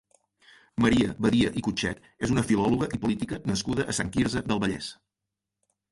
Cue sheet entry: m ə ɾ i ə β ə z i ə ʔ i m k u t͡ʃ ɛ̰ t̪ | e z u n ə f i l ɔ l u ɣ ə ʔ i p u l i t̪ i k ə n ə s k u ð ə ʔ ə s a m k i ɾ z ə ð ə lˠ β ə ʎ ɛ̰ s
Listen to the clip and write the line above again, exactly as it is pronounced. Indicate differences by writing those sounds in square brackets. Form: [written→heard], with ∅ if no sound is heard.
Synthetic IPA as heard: m ə ɾ i ə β ə [z→ð] i ə ʔ i [m→∅] k u t͡ʃ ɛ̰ t̪ | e z u n ə f i l ɔ l u ɣ ə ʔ i p u l i t̪ i k ə n ə s k u ð ə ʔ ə s a [m→ŋ] k i ɾ z ə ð ə lˠ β ə ʎ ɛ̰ s